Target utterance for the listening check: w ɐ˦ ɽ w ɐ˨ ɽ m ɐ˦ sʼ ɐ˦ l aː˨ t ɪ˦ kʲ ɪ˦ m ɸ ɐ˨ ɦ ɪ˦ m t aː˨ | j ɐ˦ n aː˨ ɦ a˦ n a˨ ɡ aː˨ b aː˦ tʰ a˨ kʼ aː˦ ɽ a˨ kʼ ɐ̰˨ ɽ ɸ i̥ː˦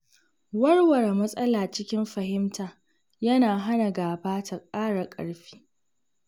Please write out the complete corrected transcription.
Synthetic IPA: w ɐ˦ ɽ w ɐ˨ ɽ m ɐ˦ sʼ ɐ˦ l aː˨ t͡ʃ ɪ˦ kʲ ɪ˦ m ɸ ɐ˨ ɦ ɪ˦ m t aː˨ | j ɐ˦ n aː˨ ɦ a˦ n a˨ ɡ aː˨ b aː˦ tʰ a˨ kʼ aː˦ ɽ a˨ kʼ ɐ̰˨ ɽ ɸ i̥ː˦

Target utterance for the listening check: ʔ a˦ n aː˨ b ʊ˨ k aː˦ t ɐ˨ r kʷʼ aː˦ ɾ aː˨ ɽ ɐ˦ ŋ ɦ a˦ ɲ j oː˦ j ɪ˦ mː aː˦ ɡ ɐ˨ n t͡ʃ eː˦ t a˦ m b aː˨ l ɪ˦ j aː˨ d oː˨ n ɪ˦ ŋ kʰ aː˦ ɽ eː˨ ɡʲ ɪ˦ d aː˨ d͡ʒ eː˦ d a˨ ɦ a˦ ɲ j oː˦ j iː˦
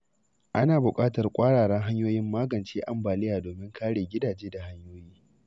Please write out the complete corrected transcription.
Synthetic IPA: ʔ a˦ n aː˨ b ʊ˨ kʼ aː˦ t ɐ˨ r kʷʼ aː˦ ɽ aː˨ ɽ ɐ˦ ŋ ɦ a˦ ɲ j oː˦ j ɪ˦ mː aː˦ ɡ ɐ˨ n t͡ʃ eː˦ ʔ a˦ m b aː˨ l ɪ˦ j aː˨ d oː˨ m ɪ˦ ŋ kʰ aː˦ ɽ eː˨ ɡʲ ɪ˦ d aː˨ d͡ʒ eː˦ d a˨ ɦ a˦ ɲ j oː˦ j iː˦

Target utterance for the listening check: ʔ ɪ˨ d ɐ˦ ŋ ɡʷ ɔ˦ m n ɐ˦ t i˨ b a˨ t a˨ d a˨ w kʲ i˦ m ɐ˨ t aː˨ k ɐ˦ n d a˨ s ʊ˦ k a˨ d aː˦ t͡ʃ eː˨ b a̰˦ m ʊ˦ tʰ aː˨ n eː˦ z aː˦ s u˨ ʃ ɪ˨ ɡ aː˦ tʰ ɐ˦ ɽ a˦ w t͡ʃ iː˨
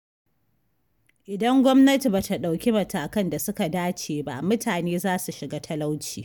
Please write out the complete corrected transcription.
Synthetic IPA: ʔ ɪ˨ d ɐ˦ ŋ ɡʷ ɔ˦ m n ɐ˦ t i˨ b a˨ t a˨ ɗ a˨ w kʲ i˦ m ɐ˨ t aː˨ k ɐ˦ n d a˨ s ʊ˦ k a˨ d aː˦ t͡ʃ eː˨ b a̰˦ m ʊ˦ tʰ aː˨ n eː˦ z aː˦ s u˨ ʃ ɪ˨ ɡ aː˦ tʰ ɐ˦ l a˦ w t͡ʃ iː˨

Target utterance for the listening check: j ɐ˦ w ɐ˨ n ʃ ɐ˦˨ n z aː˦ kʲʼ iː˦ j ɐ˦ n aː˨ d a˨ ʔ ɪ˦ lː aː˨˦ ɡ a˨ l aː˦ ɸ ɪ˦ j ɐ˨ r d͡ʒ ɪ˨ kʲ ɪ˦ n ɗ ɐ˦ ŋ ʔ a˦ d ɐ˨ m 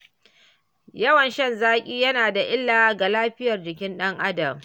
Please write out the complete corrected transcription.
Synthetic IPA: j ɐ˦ w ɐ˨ n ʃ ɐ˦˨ n z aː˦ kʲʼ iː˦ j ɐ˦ n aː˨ d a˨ ʔ ɪ˦ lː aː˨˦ ɡ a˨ l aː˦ ɸ ɪ˦ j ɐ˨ r d͡ʒ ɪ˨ kʲ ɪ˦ n ɗ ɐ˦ ŋ ʔ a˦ d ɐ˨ m

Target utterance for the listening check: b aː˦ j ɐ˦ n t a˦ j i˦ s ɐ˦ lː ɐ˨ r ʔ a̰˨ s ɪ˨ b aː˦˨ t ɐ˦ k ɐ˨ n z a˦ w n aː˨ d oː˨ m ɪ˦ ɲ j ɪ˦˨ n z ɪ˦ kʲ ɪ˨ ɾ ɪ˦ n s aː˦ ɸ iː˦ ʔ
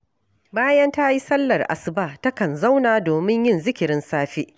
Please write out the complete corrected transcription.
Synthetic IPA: b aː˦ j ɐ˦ n t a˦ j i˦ s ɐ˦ lː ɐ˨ r ʔ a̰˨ s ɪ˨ b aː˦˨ t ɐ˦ k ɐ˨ n z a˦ w n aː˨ d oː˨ m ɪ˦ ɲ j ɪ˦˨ n z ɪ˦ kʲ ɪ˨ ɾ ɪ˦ n s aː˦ ɸ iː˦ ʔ

